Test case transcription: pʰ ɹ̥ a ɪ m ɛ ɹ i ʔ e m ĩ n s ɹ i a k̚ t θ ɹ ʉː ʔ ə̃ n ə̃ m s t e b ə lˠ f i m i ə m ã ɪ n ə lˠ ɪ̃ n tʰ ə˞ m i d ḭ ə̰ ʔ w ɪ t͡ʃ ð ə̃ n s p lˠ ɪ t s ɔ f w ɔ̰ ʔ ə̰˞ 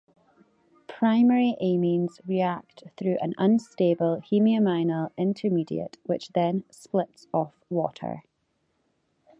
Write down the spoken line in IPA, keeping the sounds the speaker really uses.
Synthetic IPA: pʰ ɹ̥ a ɪ m ɛ ɹ i ʔ e m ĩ n z ɹ i a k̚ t θ ɹ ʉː ʔ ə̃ n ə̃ n s t e b ə lˠ h i m i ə m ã ɪ n ə lˠ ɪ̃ n tʰ ə˞ m i d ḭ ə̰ ʔ w ɪ t͡ʃ ð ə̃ n s p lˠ ɪ t s ɔ f w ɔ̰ ʔ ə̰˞